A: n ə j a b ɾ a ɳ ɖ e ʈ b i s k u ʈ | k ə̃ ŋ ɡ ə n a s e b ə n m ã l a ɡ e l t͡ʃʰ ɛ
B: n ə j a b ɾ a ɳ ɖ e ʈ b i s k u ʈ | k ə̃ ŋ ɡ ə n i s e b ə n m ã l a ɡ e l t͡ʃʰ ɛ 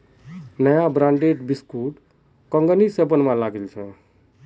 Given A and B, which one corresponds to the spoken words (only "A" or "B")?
B